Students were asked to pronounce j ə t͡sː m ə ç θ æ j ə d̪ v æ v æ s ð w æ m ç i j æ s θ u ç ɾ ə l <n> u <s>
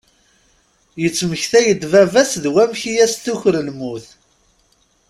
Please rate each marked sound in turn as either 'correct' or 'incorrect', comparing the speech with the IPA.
incorrect: m, incorrect: θ

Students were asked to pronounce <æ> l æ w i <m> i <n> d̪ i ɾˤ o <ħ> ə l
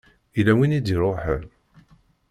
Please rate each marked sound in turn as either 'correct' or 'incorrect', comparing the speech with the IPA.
incorrect: i, incorrect: n, incorrect: none, correct

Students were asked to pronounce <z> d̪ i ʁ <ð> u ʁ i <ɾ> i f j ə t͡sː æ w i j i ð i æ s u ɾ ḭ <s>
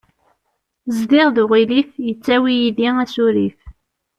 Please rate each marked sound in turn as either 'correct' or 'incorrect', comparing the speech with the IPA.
correct, correct, incorrect: l, incorrect: f

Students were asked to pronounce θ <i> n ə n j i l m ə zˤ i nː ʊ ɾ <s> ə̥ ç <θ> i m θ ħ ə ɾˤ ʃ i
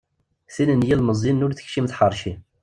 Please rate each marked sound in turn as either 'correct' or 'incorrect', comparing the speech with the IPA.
correct, incorrect: θ, incorrect: ʃ

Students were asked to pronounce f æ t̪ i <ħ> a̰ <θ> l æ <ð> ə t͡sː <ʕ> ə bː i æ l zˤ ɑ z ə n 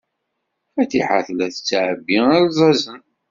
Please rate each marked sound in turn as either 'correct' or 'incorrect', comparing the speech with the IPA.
correct, correct, incorrect: θ, correct

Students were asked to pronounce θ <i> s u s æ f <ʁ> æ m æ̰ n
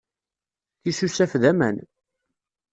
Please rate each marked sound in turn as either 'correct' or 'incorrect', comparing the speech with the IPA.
correct, incorrect: ð

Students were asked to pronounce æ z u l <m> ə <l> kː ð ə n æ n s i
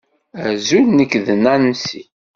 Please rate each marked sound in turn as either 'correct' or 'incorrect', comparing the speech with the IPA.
incorrect: n, incorrect: none

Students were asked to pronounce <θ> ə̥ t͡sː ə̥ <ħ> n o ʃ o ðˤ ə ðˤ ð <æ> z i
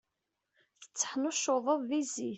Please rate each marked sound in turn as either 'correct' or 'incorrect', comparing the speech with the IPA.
correct, correct, incorrect: i

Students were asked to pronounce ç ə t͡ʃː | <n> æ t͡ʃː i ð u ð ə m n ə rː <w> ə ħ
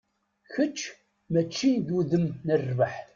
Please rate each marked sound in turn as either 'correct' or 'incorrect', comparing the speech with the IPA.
incorrect: m, incorrect: v

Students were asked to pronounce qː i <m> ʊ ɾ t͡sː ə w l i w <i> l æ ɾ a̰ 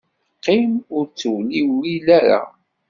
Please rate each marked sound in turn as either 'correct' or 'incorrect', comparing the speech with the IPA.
correct, correct

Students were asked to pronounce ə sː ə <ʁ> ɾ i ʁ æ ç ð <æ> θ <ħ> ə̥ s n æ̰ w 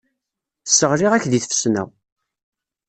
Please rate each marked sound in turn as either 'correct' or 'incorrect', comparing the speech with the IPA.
correct, incorrect: i, incorrect: f

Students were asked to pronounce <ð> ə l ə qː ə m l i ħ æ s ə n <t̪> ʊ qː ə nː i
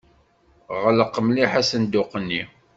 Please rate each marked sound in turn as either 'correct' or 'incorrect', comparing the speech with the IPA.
incorrect: ʁ, incorrect: d̪

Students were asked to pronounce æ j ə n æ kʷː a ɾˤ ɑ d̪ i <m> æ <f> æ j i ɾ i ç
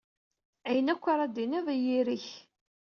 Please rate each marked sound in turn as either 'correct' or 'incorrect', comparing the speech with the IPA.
incorrect: n, incorrect: v

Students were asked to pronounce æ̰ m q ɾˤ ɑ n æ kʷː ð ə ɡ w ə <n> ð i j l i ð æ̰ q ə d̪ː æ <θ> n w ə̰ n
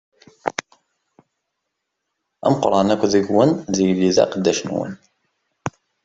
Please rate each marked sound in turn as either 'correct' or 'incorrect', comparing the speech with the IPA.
correct, incorrect: ʃ

